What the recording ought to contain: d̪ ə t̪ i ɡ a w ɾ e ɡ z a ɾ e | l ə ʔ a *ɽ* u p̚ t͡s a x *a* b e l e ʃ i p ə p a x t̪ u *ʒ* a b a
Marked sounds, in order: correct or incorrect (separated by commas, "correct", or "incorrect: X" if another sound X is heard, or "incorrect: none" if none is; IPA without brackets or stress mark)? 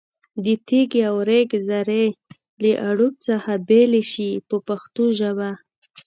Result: correct, correct, correct